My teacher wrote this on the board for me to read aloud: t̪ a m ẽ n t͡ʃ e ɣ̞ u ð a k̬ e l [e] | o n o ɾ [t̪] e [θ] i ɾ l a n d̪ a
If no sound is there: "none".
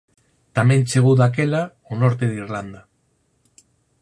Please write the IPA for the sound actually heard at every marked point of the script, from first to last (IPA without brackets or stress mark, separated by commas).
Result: a, t̪, ð